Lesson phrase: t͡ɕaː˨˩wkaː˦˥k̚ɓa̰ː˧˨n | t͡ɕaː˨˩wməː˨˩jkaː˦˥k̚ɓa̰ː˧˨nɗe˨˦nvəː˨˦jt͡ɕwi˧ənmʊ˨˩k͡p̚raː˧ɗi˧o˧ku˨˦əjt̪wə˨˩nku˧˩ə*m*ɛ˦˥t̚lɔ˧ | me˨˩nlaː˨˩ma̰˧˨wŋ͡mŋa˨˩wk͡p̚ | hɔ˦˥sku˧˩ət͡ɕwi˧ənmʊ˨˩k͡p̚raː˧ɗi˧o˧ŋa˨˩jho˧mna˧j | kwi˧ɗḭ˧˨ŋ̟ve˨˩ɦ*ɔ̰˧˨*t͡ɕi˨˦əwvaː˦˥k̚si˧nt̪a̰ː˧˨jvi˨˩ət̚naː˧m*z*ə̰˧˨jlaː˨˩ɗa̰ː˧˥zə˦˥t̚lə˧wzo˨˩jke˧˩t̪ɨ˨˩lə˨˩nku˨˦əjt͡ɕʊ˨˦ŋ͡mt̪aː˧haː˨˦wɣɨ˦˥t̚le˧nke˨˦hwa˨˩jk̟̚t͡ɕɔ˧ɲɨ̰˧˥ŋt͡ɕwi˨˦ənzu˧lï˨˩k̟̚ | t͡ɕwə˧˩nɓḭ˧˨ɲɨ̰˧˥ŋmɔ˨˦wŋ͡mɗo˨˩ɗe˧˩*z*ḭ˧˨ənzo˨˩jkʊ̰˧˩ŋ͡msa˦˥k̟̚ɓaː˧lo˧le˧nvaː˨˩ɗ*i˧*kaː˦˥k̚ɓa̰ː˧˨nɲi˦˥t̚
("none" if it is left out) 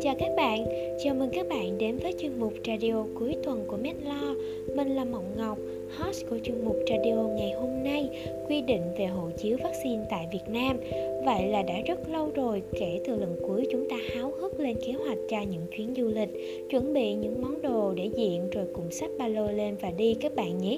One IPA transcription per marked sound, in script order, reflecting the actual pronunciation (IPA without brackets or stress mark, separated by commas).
m, o̰˧˨, v, z, i˧